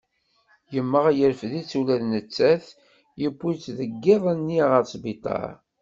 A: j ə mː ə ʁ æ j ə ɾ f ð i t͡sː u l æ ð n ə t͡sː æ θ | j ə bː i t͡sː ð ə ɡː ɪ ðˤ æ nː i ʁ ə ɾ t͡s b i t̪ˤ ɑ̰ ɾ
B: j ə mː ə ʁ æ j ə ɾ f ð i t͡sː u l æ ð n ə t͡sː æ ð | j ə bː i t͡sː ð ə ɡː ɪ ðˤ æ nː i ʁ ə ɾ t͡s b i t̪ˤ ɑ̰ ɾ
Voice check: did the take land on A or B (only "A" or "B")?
A